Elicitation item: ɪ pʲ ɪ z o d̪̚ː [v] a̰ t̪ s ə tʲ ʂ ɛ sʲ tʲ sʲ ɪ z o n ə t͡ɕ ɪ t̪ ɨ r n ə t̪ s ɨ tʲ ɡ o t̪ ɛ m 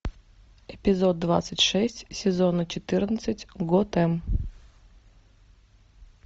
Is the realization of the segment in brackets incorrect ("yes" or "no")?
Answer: no